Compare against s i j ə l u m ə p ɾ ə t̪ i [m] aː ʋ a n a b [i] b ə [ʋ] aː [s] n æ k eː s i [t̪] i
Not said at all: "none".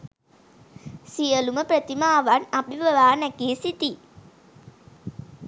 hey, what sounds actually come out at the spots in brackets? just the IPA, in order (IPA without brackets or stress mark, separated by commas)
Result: m, i, ʋ, none, t̪